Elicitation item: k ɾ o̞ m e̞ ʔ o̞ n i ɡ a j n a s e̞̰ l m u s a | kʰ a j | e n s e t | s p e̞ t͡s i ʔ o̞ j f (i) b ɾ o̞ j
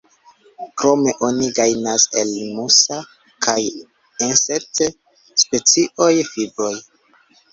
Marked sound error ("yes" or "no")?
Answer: no